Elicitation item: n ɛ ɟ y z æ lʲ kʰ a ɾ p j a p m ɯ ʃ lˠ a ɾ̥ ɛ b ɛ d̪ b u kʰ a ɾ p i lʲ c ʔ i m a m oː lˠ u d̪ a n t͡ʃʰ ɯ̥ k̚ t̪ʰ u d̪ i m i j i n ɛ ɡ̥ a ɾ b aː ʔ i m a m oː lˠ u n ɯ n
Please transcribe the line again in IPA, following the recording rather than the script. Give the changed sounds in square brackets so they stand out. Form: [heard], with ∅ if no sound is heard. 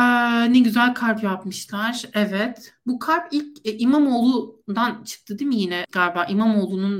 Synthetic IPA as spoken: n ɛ ɟ y z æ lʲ kʰ a ɾ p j a p m ɯ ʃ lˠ a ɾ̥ ɛ [v] ɛ [t̪] b u kʰ a ɾ p i lʲ c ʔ i m a m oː lˠ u d̪ a n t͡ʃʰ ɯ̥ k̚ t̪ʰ [ɯ] d̪ i m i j i n ɛ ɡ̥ a ɾ b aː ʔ i m a m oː lˠ u n [u] n